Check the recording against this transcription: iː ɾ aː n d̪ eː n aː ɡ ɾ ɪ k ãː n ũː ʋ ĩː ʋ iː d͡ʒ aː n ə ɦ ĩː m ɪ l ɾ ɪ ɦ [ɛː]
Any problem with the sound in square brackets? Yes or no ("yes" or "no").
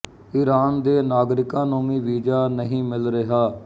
yes